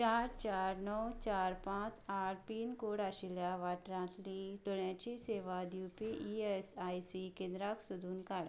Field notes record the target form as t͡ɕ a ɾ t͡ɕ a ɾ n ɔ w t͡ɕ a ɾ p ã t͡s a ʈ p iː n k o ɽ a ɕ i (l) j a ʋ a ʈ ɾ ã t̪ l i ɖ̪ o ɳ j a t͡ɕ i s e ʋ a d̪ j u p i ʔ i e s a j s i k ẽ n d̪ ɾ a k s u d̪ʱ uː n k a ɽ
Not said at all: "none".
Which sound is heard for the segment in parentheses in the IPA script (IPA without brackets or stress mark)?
l